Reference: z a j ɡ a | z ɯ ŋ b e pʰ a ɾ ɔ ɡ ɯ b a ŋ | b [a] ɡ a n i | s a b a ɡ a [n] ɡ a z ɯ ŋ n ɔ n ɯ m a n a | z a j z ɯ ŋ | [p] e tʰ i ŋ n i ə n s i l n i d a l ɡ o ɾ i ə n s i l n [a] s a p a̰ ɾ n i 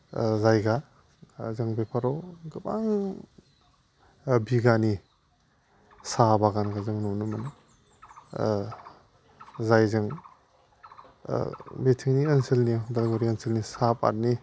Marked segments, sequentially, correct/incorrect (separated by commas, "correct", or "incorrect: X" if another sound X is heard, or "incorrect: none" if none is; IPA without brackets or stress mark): incorrect: i, correct, incorrect: b, incorrect: i